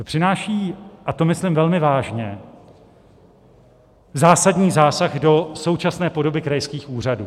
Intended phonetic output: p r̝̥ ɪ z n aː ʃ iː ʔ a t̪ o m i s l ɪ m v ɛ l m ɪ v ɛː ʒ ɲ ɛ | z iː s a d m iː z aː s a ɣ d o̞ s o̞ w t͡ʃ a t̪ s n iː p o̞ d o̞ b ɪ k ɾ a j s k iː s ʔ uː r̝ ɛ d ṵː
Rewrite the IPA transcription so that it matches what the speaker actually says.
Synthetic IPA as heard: p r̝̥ ɪ n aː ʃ iː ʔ a t̪ o m ɪ s l ɪ m v ɛ l m ɪ v aː ʒ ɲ ɛ | z aː s a d ɲ iː z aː s a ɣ d o̞ s o̞ w t͡ʃ a s n ɛː p o̞ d o̞ b ɪ k ɾ a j s k iː x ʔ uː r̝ a d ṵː

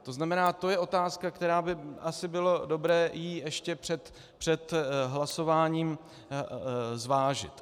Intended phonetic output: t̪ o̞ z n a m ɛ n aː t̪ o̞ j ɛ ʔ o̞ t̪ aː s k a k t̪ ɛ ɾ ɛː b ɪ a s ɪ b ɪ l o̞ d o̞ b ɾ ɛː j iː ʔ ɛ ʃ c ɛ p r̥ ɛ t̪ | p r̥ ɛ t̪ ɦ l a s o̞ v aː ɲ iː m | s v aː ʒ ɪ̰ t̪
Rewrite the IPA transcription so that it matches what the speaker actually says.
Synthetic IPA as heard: t̪ o̞ z n a m ɛ n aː t̪ o̞ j ɛ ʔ o̞ t̪ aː s k a k t̪ ɛ ɾ aː b ɪ a s ɪ b ɪ l o̞ d o̞ b ɾ ɛː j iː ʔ ɛ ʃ c ɛ p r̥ ɛ t̪ | p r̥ ɛ t̪ ɦ l a s o̞ v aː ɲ iː m | z v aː ʒ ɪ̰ t̪

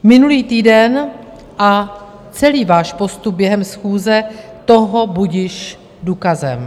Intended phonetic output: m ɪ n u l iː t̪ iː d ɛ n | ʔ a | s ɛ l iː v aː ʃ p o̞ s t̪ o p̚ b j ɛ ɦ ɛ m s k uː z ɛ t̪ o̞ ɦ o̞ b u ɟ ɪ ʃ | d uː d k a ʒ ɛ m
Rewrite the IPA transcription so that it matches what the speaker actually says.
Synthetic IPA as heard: m ɪ n u l iː t̪ iː d ɛ n | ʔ a | t͡s ɛ l iː v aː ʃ p o̞ s t̪ u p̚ b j ɛ ɦ ɛ m s x uː z ɛ t̪ o̞ ɦ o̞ b u ɟ ɪ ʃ | d uː k a z ɛ m

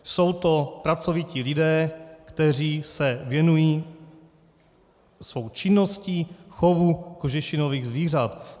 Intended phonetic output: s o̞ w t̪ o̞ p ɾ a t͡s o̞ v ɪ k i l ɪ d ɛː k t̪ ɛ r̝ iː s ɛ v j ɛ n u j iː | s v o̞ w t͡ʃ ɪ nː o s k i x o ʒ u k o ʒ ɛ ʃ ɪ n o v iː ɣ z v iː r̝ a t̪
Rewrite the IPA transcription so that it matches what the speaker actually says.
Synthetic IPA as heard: s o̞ w t̪ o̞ p ɾ a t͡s o̞ v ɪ c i l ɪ d ɛː k t̪ ɛ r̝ iː s ɛ v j ɛ n u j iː | s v o̞ w t͡ʃ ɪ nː o s c i x o v u k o ʒ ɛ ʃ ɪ n o v iː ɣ z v iː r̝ a t̪

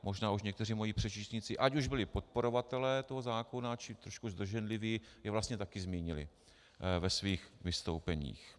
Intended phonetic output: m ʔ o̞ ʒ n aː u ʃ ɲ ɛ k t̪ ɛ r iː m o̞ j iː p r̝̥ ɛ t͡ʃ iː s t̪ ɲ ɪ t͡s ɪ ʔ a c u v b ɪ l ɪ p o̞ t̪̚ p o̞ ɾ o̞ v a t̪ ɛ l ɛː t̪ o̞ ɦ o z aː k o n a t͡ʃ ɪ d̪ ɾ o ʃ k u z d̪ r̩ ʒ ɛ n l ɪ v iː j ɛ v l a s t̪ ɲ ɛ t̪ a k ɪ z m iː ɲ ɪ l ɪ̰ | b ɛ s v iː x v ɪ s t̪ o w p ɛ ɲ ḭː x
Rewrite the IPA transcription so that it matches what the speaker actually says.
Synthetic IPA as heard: m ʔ o̞ ʒ n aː u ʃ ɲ ɛ k t̪ ɛ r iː m o̞ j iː p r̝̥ ɛ t͡ʃ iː s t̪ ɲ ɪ t͡s ɪ ʔ a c u ʒ b ɪ l ɪ p o̞ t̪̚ p o̞ ɾ o̞ v a t̪ ɛ l ɛː t̪ o̞ ɦ o z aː k o n a t͡ʃ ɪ t̪ ɾ o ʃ k u z d̪ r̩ ʒ ɛ n l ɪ v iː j ɛ v l a s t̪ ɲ ɛ t̪ a k ɪ z m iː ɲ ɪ l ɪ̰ | v ɛ s v iː x v ɪ s t̪ o w p ɛ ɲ ḭː x

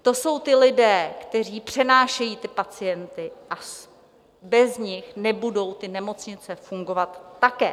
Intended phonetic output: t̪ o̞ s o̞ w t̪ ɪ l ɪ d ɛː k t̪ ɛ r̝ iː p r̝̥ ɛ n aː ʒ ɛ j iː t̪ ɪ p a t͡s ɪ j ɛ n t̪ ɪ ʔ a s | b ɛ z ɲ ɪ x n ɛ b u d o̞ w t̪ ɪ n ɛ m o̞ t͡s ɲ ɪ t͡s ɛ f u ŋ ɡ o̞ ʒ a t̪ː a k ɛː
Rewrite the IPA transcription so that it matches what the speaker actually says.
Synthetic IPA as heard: t̪ o̞ s o̞ w t̪ ɪ l ɪ d ɛː k t̪ ɛ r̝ iː p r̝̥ ɛ n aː ʃ ɛ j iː t̪ ɪ p a t͡s ɪ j ɛ n t̪ ɪ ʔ a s | b ɛ z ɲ ɪ x n ɛ b u d o̞ w t̪ ɪ n ɛ m o̞ t͡s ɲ ɪ t͡s ɛ f u ŋ ɡ o̞ v a t̪ː a k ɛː

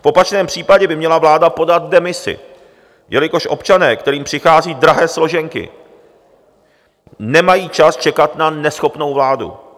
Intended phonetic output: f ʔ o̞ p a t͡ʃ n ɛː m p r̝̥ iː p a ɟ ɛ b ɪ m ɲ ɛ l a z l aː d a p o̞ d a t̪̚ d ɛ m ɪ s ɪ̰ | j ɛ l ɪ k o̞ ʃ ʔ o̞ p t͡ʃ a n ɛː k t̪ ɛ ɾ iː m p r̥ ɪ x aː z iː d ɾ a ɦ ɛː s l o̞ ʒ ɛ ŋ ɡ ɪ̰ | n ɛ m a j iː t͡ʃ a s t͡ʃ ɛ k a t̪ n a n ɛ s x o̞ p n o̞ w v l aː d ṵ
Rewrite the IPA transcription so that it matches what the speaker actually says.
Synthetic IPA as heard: f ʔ o̞ p a t͡ʃ n ɛː m p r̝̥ iː p a ɟ ɛ b ɪ m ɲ ɛ l a v l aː d a p o̞ d a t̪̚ d ɛ m ɪ s ɪ̰ | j ɛ l ɪ k o̞ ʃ ʔ o̞ p t͡ʃ a n ɛː k t̪ ɛ ɾ iː m p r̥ ɪ x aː z iː d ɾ a ɦ ɛː s l o̞ ʒ ɛ ŋ k ɪ̰ | n ɛ m a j iː t͡ʃ a s t͡ʃ ɛ k a t̪ n a n ɛ s x o̞ p n o̞ w v l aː d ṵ

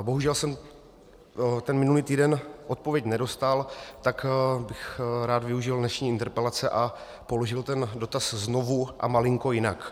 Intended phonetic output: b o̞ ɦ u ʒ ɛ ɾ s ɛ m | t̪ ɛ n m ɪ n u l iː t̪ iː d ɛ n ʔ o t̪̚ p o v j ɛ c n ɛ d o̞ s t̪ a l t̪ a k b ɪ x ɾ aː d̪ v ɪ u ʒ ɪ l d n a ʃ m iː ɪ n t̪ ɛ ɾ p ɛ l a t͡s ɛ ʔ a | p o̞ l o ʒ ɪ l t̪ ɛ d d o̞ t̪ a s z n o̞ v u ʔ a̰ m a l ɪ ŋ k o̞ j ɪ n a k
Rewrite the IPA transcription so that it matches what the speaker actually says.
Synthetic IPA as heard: b o̞ ɦ u ʒ ɛ l s ɛ m | t̪ ɛ n m ɪ n u l iː t̪ iː d ɛ n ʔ o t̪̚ p o v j ɛ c n ɛ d o̞ s t̪ a l t̪ a k b ɪ x ɾ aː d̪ v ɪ u ʒ ɪ l d n ɛ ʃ ɲ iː ɪ n t̪ ɛ ɾ p ɛ l a t͡s ɛ ʔ a | p o̞ l o ʒ ɪ l t̪ ɛ n d o̞ t̪ a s z n o̞ v u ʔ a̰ m a l ɪ ŋ k o̞ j ɪ n a k

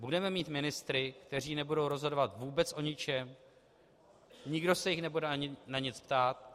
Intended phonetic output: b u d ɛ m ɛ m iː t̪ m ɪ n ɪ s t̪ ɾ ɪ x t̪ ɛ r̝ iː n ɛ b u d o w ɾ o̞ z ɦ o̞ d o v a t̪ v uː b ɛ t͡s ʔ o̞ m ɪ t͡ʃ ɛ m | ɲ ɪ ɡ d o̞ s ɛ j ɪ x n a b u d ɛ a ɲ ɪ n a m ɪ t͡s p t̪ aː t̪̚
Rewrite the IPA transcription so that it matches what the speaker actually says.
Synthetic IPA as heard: b u d ɛ m ɛ m iː t̪ m ɪ n ɪ s t̪ ɾ ɪ k t̪ ɛ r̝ iː n ɛ b u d o w ɾ o̞ z ɦ o̞ d o v a t̪ v uː b ɛ t͡s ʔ o̞ ɲ ɪ t͡ʃ ɛ m | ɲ ɪ ɡ d o̞ s ɛ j ɪ x n ɛ b u d ɛ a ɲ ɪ n a ɲ ɪ t͡s p t̪ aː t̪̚

